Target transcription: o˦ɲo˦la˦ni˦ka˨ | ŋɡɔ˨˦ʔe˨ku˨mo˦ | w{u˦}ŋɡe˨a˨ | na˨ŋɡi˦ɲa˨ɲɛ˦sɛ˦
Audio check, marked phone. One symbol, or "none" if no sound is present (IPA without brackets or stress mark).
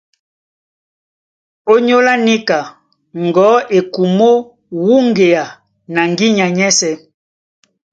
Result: u˦